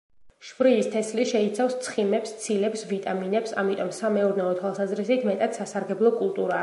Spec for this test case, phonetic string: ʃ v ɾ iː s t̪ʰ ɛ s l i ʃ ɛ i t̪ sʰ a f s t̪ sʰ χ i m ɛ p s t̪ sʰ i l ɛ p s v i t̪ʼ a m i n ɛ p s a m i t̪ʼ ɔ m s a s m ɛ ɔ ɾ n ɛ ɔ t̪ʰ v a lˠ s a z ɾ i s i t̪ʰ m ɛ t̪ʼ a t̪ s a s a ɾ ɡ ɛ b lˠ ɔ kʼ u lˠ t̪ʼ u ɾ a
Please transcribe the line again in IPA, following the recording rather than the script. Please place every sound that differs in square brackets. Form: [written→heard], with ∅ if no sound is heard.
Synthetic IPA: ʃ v ɾ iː s t̪ʰ ɛ s l i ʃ ɛ i t̪ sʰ a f s t̪ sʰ χ i m ɛ p s t̪ sʰ i l ɛ p s v i t̪ʼ a m i n ɛ p s a m i t̪ʼ ɔ m s a [s→∅] m ɛ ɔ ɾ n ɛ ɔ t̪ʰ [v→w] a lˠ s a z ɾ i s i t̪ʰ m ɛ t̪ʼ a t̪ s a s a ɾ ɡ ɛ b lˠ ɔ kʼ u lˠ t̪ʼ u ɾ a